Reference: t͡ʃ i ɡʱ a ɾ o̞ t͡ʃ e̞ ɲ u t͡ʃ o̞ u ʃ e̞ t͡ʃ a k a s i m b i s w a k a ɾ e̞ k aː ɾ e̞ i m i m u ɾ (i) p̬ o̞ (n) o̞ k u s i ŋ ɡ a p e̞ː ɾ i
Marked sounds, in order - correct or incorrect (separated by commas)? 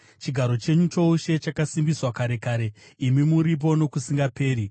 correct, correct